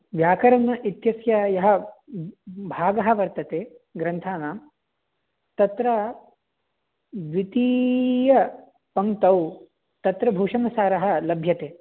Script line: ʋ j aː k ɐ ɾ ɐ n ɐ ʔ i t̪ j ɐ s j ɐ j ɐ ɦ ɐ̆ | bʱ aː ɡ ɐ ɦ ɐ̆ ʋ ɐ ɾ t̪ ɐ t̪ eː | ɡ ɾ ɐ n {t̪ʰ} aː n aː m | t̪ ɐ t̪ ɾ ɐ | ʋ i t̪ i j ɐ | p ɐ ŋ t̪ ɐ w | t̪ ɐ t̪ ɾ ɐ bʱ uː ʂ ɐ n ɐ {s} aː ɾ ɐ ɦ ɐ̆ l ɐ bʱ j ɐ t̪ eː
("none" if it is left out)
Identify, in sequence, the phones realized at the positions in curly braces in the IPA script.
t̪ʰ, s

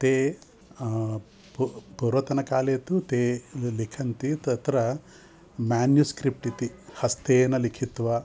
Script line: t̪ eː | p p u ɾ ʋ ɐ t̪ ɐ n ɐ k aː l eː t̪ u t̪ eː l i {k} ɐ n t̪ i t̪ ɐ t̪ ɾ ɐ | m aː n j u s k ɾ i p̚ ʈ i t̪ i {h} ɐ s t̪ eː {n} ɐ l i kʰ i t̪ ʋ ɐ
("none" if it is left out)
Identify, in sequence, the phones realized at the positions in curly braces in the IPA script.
kʰ, h, n

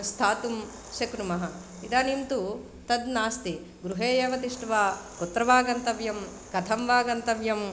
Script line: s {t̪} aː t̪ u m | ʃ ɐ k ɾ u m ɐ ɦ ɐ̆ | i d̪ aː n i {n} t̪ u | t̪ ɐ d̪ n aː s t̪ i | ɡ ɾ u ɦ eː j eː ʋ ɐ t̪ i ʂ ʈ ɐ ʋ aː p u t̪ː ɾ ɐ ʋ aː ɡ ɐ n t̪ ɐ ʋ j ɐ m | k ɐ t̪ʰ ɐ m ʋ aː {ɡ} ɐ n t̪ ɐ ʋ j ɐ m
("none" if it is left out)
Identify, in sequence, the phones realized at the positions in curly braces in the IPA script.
t̪ʰ, m, ɡ

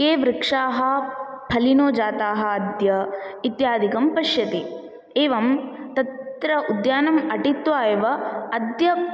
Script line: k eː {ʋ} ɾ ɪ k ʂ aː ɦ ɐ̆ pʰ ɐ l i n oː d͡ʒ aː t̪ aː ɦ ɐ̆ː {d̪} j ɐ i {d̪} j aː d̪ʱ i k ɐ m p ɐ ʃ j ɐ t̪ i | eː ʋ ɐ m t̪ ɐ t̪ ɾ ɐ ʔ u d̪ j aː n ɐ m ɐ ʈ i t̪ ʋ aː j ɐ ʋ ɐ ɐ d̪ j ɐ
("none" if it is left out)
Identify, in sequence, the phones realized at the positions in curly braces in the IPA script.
ʋ, d̪, t̪

